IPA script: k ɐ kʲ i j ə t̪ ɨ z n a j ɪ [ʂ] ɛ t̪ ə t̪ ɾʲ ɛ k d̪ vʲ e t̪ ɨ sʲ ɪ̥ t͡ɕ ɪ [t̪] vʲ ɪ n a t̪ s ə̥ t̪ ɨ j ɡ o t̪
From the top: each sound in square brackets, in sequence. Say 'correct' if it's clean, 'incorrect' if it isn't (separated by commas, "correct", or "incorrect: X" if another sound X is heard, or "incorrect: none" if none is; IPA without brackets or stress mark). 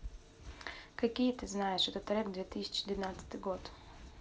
correct, incorrect: d̪